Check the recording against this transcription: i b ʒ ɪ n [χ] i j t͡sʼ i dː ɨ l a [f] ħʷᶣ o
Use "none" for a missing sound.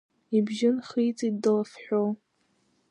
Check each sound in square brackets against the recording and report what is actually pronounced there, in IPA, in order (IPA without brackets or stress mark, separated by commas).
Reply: χ, f